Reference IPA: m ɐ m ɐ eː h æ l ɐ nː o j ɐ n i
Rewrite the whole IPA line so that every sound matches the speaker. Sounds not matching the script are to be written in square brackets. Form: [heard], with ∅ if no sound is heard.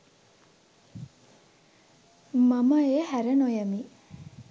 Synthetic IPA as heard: m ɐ m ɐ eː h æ [ɾ] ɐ [n] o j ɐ [m] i